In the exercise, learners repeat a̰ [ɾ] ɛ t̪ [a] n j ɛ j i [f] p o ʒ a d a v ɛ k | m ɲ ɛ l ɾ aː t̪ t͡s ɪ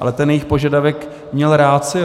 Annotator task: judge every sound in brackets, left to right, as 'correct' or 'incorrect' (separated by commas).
incorrect, incorrect, incorrect